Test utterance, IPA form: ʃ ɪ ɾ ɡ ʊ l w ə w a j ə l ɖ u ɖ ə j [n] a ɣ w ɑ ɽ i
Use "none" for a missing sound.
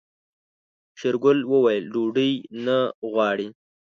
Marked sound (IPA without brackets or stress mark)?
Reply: n